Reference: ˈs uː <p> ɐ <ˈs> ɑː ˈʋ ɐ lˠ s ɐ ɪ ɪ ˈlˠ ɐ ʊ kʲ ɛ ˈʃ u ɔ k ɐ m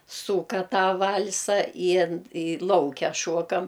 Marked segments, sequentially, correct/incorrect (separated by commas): incorrect, incorrect